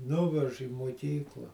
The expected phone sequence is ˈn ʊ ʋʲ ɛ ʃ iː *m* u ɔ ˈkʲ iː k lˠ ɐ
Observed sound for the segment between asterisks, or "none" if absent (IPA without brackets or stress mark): m